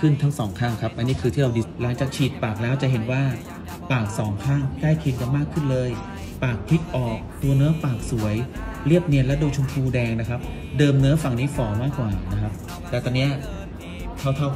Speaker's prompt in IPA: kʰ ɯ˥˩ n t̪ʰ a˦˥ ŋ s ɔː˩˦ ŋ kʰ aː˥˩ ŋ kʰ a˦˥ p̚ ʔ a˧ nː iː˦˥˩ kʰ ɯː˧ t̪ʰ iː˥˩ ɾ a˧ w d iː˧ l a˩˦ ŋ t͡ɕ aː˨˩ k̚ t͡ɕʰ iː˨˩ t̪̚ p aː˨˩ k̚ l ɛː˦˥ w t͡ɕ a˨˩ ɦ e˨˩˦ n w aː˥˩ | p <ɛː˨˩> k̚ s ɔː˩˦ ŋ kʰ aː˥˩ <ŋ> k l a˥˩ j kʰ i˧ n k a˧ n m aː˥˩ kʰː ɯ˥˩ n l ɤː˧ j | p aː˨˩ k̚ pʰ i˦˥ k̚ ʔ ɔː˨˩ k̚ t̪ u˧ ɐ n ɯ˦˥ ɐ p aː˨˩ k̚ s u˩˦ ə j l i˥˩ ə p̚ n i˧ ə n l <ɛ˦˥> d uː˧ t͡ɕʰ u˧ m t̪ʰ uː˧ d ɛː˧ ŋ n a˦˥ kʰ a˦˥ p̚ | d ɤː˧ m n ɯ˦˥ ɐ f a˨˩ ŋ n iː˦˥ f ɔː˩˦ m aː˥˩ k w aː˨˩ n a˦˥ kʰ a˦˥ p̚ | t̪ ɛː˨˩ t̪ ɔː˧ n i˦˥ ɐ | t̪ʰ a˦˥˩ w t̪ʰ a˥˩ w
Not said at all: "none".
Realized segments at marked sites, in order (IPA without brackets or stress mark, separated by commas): aː˨˩, ŋ, ɛ˦˥